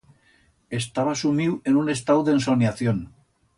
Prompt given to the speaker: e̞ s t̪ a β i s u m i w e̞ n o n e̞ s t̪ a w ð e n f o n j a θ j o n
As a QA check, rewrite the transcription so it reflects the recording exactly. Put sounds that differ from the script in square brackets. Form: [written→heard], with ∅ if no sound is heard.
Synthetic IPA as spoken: e̞ s t̪ a β [i→a] s u m i w e̞ n [o→u] n e̞ s t̪ a w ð e n [f→s] o n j a θ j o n